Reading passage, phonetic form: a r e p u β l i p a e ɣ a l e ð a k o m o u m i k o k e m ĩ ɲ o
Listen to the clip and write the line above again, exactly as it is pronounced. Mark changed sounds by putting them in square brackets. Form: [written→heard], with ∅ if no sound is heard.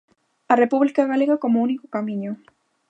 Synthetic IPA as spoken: a r e p u β l i [p→k] a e ɣ a l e [ð→ɣ] a k o m o u [m→n] i k o k [e→a] m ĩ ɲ o